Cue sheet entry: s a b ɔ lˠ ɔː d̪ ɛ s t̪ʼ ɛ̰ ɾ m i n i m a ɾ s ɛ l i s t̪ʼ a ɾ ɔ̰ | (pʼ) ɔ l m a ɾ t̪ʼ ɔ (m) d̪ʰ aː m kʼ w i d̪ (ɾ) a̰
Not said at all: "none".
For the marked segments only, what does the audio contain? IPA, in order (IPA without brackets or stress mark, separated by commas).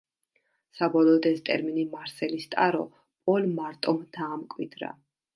pʼ, m, ɾ